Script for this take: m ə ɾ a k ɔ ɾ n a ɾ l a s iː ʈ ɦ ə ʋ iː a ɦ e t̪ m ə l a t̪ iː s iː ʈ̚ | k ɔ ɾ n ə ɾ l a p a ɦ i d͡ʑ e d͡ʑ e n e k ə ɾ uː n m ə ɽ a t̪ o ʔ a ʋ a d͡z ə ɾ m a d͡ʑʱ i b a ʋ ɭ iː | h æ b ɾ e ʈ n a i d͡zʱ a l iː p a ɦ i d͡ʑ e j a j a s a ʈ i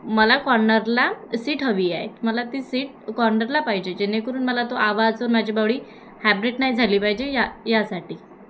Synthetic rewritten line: m ə l a k ɔ ɾ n ə ɾ l a s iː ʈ ɦ ə ʋ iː a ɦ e t̪ m ə l a t̪ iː s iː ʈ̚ | k ɔ ɾ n ə ɾ l a p a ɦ i d͡ʑ e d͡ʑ e n e k ə ɾ uː n m ə l a t̪ o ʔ a ʋ a d͡z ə ɾ m a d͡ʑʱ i b a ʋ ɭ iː | h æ b ɾ e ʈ n a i d͡zʱ a l iː p a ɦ i d͡ʑ e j a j a s a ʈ iː